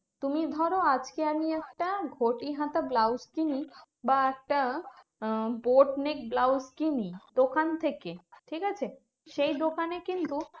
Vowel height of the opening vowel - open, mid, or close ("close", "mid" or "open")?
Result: close